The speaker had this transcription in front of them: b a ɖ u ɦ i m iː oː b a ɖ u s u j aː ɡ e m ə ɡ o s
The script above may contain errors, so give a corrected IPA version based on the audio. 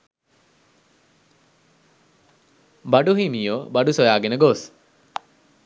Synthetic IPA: b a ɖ u ɦ i m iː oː b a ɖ u s o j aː ɡ e n ə ɡ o s